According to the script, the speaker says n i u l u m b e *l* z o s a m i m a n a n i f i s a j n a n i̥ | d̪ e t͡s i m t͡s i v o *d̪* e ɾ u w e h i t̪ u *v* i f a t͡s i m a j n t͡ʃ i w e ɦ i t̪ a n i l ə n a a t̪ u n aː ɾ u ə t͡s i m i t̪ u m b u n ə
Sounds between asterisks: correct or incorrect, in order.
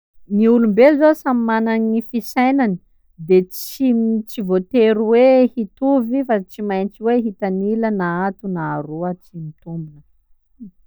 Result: correct, incorrect: t̪, correct

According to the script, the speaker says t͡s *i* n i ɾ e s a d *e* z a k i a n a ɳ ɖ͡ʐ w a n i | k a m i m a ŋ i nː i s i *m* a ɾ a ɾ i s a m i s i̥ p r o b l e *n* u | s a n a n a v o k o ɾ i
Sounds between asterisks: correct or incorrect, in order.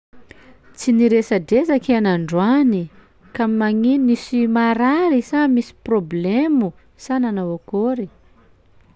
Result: correct, correct, correct, incorrect: m

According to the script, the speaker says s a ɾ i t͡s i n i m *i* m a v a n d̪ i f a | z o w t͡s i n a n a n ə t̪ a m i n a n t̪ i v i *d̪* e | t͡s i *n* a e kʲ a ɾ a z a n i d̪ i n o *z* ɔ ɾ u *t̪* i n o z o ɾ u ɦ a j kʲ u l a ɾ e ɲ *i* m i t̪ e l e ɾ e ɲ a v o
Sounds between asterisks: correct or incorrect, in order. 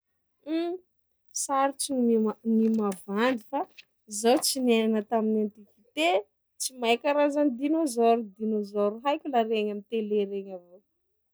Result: correct, incorrect: t̪, incorrect: m, correct, incorrect: d̪, incorrect: a

